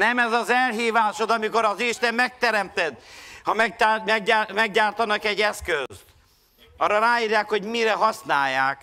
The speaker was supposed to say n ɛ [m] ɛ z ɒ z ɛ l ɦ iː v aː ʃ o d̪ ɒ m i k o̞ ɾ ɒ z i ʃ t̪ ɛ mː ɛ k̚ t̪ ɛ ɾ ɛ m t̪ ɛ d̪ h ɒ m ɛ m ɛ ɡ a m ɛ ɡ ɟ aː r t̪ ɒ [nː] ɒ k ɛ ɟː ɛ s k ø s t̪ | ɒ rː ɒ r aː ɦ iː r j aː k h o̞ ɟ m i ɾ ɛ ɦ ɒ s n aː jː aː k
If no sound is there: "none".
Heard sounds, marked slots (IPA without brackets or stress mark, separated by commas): m, n